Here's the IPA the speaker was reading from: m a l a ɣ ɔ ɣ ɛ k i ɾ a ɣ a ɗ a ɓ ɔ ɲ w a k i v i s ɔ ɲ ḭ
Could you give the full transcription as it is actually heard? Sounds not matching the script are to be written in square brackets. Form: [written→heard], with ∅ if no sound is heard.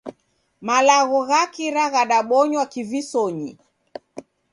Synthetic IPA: m a l a ɣ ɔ ɣ [ɛ→a] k i ɾ a ɣ a ɗ a ɓ ɔ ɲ w a k i v i s ɔ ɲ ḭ